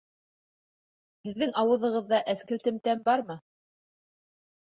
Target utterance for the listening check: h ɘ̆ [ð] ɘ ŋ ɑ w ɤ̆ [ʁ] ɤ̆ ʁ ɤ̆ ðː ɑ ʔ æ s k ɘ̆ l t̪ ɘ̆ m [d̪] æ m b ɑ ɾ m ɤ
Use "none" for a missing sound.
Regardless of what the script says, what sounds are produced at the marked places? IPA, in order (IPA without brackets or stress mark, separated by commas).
ðː, ð, t̪